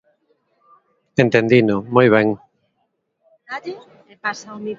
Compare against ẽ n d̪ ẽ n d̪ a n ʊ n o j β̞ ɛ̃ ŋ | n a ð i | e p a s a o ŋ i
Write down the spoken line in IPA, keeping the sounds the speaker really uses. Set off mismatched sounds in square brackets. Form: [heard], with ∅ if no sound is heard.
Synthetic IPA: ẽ n [t̪] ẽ n d̪ [i] n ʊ [m] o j β̞ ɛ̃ ŋ | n a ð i | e p a s a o [m] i